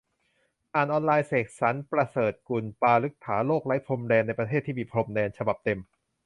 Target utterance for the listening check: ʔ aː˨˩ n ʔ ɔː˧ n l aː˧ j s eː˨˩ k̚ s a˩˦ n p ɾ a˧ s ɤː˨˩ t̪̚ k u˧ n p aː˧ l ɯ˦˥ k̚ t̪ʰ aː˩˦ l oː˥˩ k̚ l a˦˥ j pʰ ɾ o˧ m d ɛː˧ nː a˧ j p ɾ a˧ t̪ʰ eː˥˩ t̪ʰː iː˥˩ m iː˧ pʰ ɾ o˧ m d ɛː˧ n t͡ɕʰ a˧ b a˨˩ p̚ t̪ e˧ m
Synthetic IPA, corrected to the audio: ʔ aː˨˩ n ʔ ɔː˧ n l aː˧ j s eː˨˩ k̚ s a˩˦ n p ɾ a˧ s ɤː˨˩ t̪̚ k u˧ n p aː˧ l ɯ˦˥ k̚ t̪ʰ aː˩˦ l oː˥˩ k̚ l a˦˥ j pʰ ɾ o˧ m d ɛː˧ nː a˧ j p ɾ a˧ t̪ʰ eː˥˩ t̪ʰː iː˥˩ m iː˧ pʰ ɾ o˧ m d ɛː˧ n t͡ɕʰ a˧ b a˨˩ p̚ t̪ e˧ m